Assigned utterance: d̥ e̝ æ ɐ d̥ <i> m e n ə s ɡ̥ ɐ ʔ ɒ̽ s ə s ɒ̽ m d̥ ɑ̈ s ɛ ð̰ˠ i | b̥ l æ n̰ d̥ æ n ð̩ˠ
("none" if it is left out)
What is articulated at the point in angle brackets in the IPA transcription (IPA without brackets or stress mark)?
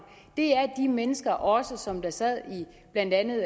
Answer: i